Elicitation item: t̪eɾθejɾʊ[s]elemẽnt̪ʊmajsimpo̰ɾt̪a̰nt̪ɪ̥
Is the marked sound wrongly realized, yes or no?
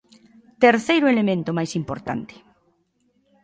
yes